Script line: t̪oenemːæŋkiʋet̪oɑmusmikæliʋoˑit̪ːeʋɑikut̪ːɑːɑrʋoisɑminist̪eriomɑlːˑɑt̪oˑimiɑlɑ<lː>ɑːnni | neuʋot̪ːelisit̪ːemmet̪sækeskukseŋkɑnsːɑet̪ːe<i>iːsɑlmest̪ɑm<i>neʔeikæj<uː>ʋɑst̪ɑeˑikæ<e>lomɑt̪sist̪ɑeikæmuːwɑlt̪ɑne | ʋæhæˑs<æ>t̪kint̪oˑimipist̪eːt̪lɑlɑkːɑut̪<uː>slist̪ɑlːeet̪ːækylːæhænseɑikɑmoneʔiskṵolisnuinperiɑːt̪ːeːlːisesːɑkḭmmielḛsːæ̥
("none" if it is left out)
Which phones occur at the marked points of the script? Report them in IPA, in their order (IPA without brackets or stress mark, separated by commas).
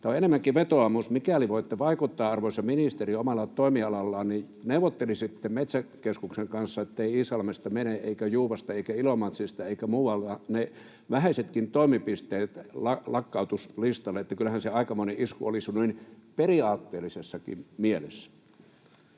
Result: lː, i, e, uː, i, e, u